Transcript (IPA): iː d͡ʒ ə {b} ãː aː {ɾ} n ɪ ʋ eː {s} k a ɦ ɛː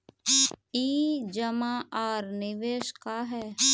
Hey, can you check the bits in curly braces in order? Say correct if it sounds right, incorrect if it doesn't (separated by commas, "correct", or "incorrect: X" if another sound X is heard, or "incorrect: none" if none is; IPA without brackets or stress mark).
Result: incorrect: m, correct, incorrect: ʃ